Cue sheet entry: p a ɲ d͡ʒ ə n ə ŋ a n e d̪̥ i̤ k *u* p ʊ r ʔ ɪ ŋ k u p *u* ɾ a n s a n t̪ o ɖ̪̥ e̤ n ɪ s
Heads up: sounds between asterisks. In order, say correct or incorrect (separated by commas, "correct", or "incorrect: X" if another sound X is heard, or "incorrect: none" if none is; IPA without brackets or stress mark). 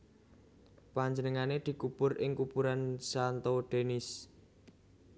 correct, correct